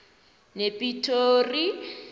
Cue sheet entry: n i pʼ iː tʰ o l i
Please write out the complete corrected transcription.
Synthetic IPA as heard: n e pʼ i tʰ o r i